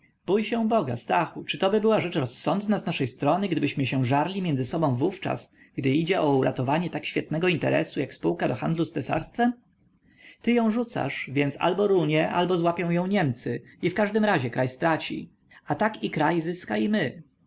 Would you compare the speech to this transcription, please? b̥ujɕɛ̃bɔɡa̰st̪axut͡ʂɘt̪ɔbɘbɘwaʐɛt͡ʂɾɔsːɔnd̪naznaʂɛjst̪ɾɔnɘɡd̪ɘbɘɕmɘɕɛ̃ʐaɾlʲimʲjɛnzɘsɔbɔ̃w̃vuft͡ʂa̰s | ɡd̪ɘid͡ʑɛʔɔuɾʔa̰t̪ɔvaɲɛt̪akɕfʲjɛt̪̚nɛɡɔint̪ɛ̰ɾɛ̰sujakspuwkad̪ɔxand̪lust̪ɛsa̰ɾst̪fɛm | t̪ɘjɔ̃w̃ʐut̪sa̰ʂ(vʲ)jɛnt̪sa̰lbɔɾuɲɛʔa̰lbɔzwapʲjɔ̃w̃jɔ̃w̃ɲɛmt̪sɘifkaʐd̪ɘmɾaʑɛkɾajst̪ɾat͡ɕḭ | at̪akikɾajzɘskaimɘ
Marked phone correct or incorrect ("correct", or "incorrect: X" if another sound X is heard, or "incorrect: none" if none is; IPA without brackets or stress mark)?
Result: correct